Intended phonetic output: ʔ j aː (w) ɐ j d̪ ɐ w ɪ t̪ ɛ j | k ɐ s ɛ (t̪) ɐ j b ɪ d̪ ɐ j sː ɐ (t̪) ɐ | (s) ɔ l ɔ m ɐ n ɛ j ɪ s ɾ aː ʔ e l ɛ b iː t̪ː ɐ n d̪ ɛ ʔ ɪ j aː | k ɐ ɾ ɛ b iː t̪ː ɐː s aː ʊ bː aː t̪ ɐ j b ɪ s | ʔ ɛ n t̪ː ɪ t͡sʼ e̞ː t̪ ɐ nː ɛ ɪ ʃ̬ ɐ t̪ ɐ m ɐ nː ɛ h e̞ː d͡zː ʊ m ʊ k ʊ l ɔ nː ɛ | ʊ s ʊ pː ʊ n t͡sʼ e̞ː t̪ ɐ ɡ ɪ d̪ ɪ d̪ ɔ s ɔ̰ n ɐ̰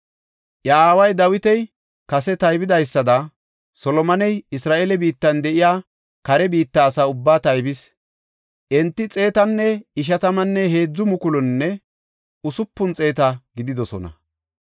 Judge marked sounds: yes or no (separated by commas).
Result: yes, yes, no, yes